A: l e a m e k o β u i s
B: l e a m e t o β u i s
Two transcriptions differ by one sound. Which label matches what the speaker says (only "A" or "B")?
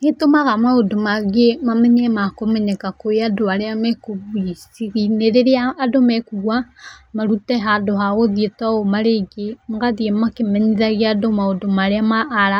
A